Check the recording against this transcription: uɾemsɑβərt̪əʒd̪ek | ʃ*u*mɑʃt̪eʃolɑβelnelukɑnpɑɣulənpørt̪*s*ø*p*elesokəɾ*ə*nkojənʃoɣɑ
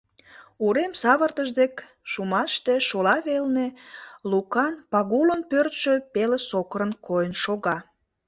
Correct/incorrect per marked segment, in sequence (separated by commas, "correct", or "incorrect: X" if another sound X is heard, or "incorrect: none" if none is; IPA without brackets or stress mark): correct, incorrect: ʃ, correct, correct